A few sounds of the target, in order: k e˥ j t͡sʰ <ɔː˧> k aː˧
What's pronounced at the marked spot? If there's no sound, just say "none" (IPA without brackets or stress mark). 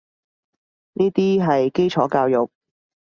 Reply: ɔː˨˥